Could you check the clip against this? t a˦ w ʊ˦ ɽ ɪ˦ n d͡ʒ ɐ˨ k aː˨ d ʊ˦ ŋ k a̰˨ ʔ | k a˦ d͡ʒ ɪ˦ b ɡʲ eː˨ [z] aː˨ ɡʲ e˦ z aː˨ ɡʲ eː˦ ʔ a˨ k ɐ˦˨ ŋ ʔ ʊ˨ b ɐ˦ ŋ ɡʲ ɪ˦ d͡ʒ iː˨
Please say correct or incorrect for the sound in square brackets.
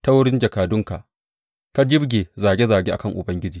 correct